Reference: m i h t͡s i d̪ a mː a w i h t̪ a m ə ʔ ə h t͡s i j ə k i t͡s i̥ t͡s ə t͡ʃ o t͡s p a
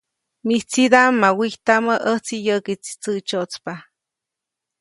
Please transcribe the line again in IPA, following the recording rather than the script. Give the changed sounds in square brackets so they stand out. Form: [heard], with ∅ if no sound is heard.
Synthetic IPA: m i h t͡s i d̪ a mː a w i h t̪ a m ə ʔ ə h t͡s i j ə k i t͡s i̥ t͡s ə t͡ʃ o t͡s p a